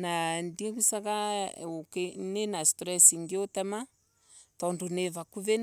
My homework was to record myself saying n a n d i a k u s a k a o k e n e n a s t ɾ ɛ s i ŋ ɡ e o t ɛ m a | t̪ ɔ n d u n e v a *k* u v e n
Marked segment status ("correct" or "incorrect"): correct